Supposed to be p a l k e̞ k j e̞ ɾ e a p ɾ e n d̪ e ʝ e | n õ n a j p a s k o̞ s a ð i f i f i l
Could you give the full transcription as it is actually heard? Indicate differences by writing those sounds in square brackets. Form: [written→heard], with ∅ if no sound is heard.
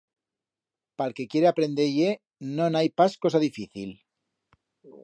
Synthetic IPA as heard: p a l k e̞ k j e̞ ɾ e a p ɾ e n d̪ e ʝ e | n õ n a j p a s k o̞ s a ð i f i [f→θ] i l